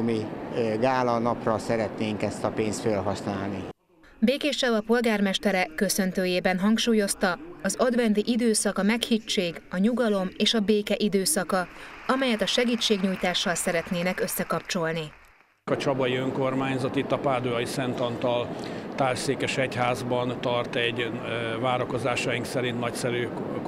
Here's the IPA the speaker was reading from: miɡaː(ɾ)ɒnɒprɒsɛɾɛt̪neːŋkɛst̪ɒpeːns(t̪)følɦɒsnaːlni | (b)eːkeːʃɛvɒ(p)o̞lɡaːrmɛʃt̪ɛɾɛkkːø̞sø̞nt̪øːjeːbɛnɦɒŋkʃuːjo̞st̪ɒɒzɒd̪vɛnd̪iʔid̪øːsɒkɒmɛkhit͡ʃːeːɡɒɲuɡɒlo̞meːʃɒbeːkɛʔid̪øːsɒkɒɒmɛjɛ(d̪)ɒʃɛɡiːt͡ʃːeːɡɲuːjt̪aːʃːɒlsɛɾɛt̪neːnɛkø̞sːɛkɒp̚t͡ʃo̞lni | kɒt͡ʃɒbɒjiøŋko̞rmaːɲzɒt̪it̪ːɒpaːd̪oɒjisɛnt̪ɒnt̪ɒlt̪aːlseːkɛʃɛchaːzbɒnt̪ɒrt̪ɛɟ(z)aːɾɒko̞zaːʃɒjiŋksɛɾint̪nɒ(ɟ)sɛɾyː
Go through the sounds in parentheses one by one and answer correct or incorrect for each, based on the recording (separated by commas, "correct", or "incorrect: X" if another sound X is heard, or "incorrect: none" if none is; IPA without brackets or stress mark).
incorrect: l, correct, correct, correct, incorrect: t̪, incorrect: v, incorrect: c